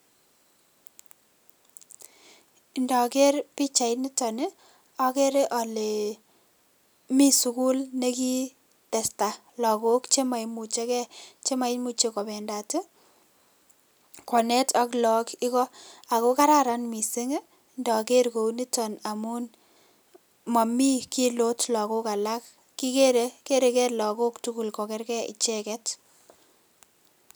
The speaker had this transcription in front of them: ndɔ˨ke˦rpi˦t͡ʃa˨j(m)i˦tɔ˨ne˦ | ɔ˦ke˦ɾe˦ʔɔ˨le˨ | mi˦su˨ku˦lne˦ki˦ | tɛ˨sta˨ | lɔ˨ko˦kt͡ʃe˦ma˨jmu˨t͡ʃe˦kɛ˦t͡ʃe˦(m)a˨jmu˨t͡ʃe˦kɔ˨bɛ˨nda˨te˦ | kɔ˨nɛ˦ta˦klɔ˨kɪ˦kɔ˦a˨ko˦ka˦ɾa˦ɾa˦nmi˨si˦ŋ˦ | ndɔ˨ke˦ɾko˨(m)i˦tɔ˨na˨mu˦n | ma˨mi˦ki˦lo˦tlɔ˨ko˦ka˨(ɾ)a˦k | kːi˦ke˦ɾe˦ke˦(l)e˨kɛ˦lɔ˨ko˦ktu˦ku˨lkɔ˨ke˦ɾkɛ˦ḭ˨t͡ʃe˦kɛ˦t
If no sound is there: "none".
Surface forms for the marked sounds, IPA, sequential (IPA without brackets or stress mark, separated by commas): n, m, n, l, ɾ